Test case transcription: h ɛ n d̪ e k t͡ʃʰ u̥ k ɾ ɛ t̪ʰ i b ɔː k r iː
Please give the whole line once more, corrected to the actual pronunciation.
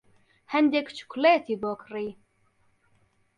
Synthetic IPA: h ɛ n d̪ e k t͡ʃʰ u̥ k l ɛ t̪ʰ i b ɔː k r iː